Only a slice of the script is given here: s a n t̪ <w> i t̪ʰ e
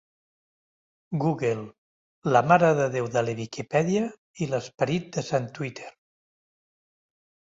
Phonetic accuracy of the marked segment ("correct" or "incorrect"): correct